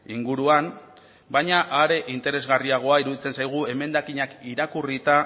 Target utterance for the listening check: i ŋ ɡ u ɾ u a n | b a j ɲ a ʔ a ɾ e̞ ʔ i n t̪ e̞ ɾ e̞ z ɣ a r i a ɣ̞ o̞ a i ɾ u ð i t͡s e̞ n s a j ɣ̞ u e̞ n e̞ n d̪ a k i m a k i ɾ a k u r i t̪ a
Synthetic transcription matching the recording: i ŋ ɡ u ɾ u a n | b a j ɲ a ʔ a ɾ e̞ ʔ i n t̪ e̞ ɾ e̞ z ɣ a r i a ɣ̞ o̞ a i ɾ u ð i t͡s e̞ n s a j ɣ̞ u e̞ m e̞ n d̪ a k i ɲ a k i ɾ a k u r i t̪ a